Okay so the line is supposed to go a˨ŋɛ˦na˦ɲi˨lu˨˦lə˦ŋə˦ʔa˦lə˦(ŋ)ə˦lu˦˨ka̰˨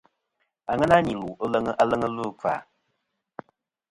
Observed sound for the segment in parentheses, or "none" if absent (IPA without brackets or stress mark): ŋ